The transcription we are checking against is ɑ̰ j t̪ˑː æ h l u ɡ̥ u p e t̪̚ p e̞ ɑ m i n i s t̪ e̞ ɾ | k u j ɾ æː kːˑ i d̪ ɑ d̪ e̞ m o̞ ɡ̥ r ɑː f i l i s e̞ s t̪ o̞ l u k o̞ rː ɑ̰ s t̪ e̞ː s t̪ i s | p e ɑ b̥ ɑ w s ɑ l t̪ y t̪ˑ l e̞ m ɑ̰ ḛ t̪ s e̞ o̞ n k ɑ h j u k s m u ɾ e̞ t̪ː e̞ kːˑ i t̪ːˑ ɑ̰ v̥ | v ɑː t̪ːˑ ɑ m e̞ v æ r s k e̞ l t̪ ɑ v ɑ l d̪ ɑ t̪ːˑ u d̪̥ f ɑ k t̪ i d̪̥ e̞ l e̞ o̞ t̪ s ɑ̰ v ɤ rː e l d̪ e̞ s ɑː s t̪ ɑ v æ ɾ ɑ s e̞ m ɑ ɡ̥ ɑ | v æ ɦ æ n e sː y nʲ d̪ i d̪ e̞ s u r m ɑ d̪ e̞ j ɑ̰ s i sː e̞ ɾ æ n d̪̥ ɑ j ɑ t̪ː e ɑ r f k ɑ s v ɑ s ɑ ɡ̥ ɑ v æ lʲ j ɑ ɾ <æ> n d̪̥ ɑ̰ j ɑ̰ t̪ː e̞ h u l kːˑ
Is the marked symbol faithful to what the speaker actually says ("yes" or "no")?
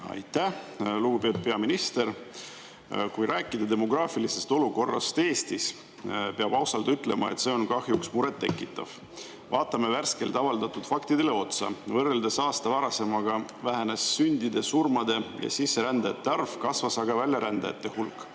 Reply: yes